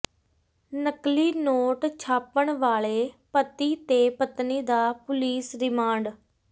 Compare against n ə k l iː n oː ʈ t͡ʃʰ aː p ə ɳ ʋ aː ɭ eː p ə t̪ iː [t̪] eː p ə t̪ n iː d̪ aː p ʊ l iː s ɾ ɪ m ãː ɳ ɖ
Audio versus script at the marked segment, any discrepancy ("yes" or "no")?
no